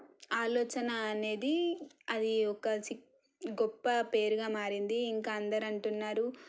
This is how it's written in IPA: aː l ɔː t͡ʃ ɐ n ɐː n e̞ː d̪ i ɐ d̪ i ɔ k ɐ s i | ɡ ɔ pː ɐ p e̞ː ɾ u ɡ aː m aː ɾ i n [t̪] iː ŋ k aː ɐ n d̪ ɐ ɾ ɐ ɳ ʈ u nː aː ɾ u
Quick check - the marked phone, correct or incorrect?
incorrect